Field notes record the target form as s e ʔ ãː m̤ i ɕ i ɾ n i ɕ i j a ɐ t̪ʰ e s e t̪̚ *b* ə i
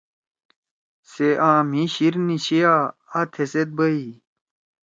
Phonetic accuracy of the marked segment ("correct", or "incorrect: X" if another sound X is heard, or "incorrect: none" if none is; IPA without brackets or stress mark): correct